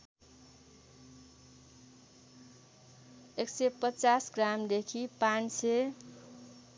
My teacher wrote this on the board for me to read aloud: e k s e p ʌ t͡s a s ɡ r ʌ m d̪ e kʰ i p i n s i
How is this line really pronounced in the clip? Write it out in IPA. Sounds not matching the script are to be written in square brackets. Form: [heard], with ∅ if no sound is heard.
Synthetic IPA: e k s e p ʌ t͡s a s ɡ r [a] m d̪ e kʰ i p [a] n s [e]